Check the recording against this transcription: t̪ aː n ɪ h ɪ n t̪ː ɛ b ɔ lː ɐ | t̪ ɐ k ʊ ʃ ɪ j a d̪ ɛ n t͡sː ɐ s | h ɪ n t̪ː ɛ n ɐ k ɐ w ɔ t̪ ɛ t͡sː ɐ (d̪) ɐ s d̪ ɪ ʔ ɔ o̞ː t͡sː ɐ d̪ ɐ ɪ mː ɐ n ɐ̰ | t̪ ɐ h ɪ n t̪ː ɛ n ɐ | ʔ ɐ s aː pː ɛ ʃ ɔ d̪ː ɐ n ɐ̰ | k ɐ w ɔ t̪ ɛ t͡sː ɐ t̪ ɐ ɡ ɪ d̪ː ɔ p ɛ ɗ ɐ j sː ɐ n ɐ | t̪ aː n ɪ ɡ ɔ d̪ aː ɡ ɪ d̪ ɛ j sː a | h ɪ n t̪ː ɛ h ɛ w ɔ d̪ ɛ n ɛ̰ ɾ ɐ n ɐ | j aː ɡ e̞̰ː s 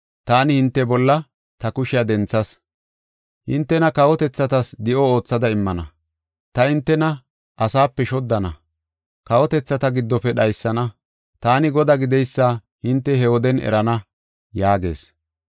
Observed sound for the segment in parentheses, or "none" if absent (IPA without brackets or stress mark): t̪